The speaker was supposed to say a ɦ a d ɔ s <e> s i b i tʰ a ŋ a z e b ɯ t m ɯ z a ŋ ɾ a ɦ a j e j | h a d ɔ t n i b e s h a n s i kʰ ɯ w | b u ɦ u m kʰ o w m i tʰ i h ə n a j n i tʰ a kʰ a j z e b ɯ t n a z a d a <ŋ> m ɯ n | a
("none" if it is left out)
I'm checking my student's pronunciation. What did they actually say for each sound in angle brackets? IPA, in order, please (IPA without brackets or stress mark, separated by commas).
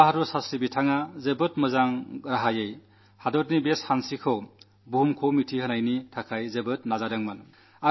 a, ŋ